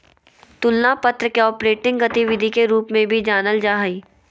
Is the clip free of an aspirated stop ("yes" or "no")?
yes